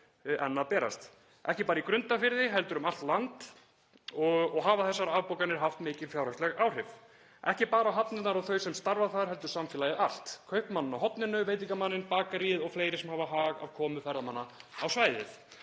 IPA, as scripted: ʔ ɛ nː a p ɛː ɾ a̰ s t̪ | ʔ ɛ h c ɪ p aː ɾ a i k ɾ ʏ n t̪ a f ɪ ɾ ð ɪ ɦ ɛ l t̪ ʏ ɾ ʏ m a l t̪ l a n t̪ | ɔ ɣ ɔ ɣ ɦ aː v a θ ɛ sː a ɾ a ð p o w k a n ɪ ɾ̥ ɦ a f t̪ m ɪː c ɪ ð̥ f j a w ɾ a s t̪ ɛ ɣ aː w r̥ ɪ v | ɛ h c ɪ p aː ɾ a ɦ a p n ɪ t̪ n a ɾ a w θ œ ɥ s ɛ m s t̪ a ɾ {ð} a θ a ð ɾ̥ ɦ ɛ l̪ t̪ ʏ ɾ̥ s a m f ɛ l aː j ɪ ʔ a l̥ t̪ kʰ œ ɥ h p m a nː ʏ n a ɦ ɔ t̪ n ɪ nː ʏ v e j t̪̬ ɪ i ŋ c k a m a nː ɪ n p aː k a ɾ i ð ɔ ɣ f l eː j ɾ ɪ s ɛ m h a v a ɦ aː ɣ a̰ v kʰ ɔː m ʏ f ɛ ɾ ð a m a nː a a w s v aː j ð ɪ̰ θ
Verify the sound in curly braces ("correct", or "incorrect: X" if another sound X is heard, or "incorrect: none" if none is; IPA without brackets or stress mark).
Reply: incorrect: v